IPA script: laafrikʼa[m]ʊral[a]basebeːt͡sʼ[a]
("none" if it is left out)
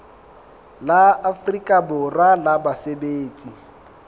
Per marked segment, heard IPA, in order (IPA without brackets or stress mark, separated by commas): b, a, i